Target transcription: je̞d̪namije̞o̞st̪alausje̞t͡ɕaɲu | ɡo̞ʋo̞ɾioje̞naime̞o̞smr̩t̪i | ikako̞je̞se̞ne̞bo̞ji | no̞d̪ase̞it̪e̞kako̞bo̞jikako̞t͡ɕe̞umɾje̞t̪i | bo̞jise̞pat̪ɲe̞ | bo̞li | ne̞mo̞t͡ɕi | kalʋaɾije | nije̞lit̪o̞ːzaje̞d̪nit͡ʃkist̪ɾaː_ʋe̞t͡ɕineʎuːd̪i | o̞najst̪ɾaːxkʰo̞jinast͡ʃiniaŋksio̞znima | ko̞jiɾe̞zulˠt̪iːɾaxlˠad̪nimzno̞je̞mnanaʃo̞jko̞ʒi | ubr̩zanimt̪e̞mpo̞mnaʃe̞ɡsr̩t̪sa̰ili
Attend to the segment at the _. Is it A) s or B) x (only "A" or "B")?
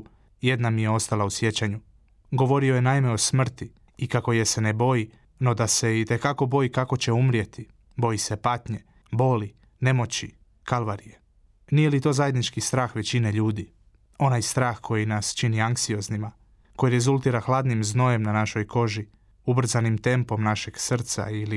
B